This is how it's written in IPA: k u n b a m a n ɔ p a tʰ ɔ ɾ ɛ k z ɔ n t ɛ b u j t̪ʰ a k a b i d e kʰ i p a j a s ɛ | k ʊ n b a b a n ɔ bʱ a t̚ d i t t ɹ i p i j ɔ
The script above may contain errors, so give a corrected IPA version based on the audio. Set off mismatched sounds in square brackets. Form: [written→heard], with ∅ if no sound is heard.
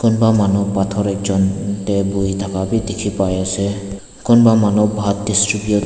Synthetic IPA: k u n b a m a n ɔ p a tʰ ɔ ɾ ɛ k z ɔ n t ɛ b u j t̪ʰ a k a b i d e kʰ i p a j a s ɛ | k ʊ n b a [b→m] a n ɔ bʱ a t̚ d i [t→s] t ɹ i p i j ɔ